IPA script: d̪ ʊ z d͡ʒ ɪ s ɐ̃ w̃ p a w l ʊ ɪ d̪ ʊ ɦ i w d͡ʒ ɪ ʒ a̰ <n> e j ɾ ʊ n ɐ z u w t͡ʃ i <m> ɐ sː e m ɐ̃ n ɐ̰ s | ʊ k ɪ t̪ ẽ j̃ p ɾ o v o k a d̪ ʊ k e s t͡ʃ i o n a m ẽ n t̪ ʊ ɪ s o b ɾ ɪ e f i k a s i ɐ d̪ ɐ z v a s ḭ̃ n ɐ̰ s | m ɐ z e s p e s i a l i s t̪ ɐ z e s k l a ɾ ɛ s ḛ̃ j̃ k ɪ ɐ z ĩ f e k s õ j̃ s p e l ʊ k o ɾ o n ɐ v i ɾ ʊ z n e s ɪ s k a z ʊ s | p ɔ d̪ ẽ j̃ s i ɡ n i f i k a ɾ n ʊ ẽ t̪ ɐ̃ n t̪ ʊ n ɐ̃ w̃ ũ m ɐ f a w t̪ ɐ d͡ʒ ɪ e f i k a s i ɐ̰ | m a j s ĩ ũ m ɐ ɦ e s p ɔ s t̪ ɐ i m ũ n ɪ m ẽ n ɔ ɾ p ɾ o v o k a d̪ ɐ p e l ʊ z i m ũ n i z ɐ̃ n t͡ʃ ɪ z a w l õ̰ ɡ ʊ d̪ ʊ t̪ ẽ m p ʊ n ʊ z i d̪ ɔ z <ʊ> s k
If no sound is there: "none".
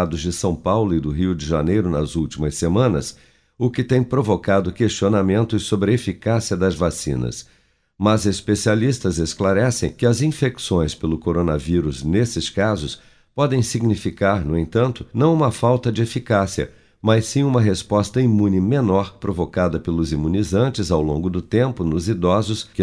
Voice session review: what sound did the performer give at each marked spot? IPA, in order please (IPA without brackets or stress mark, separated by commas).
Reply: n, m, ʊ